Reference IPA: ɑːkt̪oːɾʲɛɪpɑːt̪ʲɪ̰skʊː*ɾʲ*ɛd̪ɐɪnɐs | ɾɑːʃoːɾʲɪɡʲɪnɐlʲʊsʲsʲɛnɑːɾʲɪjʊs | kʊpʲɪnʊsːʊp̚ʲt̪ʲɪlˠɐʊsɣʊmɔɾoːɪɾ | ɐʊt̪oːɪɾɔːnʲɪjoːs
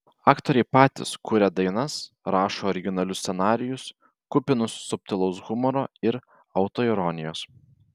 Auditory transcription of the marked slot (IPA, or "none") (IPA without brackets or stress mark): ɾʲ